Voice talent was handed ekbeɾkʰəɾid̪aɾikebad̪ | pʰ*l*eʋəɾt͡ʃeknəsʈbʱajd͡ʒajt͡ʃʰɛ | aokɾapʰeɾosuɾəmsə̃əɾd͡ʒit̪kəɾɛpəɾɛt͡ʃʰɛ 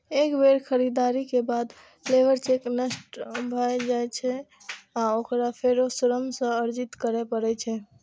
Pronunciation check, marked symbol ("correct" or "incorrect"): correct